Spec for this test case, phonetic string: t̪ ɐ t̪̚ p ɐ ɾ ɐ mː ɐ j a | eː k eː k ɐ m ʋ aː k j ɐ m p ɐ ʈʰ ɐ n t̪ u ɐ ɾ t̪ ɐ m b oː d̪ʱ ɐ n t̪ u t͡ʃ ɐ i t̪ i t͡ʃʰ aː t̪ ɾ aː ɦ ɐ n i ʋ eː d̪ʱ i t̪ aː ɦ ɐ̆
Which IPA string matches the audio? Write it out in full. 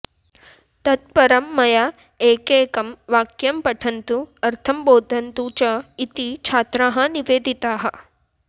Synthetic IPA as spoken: t̪ ɐ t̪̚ p ɐ ɾ ɐ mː ɐ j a | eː k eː k ɐ m ʋ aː k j ɐ m p ɐ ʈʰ ɐ n t̪ u ɐ ɾ t̪ʰ ɐ m b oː d̪ʱ ɐ n t̪ u t͡ʃ ɐ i t̪ i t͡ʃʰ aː t̪ ɾ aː ɦ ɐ n i ʋ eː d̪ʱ i t̪ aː ɦ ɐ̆